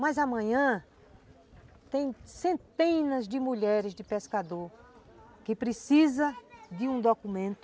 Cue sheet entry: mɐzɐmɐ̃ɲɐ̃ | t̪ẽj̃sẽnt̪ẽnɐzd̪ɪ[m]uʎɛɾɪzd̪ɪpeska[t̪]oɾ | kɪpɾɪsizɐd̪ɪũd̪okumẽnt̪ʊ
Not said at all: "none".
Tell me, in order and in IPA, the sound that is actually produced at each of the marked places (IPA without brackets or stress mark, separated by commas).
m, d̪